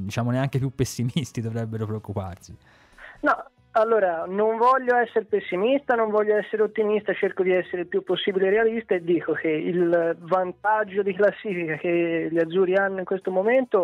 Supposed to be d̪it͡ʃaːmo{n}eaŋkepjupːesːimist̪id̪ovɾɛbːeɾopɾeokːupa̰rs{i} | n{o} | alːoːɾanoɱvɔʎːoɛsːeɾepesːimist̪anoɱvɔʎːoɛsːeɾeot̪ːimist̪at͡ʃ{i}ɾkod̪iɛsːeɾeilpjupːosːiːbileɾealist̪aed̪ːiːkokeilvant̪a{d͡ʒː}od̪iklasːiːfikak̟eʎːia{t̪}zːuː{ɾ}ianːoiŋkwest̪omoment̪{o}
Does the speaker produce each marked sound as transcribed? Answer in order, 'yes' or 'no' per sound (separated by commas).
yes, yes, no, no, yes, no, yes, yes